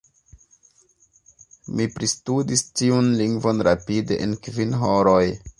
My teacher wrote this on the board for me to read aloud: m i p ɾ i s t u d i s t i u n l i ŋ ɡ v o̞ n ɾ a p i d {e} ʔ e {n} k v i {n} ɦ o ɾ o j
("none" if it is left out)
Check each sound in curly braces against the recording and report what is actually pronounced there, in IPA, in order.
e, n, n

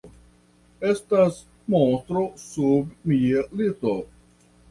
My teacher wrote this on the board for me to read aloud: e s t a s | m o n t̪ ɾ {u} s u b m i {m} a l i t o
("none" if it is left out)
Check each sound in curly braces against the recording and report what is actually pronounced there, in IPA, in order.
o, none

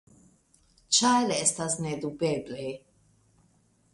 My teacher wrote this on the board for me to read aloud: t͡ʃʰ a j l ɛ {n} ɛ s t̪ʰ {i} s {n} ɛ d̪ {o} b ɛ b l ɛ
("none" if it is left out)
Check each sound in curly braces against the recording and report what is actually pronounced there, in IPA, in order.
none, a, n, u

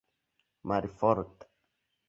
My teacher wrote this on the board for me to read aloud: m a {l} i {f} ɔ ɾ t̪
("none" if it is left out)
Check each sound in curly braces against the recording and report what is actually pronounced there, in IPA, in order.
ɾ, f

